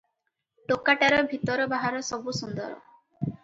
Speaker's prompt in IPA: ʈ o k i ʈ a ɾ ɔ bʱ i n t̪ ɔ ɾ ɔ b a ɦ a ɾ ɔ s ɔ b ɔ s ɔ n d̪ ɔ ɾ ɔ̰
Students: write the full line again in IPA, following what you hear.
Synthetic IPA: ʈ o k a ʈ a ɾ ɔ bʱ i t̪ ɔ ɾ ɔ b a ɦ a ɾ ɔ s ɔ b u s u n d̪ ɔ ɾ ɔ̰